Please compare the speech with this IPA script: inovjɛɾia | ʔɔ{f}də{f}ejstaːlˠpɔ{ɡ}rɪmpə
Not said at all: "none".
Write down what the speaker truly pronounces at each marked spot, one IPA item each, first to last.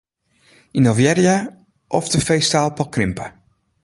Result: f, f, k

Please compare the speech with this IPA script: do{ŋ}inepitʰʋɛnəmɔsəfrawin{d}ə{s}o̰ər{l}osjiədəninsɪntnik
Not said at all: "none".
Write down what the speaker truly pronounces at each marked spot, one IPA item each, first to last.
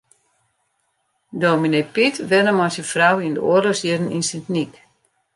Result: m, d, none, l

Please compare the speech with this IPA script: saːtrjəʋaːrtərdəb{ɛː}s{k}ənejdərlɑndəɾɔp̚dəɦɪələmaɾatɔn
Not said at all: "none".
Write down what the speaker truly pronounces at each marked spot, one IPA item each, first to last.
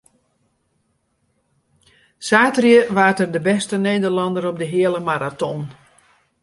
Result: ɛ, t

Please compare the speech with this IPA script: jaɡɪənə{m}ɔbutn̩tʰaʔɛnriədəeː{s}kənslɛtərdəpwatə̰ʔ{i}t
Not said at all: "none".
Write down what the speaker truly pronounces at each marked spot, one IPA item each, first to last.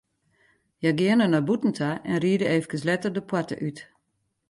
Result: n, f, y

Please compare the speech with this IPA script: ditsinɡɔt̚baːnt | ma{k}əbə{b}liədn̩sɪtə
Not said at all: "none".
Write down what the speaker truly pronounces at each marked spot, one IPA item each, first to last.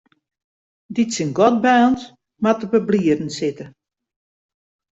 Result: t, b

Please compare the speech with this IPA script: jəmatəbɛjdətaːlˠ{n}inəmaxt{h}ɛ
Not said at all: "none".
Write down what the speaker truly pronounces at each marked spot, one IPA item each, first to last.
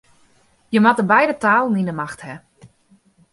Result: n, h

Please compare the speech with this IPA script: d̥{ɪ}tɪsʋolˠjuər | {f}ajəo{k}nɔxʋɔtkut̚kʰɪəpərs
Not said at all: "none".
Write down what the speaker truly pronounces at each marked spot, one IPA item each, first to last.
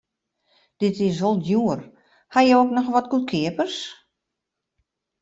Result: ɪ, h, k

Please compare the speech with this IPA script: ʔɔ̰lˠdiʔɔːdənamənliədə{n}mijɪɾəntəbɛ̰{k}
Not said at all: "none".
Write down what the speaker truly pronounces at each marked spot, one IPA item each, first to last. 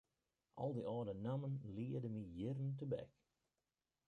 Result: none, k

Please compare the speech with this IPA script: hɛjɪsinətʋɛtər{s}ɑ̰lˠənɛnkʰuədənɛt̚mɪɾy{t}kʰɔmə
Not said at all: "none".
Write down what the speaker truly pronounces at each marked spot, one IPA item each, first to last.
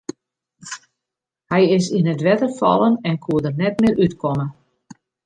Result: f, t

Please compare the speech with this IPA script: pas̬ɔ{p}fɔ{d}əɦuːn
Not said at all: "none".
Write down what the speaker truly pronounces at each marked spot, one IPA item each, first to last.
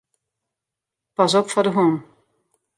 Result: p, d

